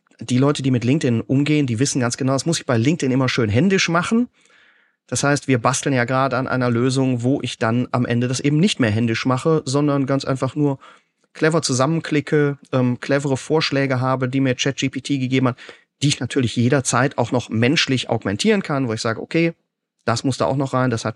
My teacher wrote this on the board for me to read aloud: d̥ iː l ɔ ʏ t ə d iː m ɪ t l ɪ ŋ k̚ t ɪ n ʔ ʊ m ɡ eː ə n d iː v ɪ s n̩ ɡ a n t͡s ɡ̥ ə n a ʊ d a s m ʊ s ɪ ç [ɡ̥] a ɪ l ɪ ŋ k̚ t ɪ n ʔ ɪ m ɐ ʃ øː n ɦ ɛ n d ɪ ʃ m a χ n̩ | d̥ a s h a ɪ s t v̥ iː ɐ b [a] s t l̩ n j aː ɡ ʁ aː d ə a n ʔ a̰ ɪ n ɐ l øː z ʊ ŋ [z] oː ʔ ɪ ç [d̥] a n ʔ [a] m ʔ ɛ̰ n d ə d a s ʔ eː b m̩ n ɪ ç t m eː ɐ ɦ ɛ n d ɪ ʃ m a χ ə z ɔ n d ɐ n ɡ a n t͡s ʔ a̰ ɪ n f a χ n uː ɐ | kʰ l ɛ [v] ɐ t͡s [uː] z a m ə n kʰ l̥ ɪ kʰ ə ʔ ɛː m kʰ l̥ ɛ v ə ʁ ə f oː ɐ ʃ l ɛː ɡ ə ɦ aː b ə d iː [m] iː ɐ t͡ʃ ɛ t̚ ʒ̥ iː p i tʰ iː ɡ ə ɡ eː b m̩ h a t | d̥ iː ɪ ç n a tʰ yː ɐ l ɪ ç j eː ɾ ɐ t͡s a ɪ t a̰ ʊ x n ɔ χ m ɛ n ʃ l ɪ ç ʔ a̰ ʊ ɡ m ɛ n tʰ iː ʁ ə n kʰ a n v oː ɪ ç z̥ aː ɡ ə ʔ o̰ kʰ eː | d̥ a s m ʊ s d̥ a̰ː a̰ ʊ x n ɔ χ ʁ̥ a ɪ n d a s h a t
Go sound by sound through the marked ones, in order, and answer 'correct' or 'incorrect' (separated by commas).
incorrect, correct, incorrect, correct, correct, correct, incorrect, correct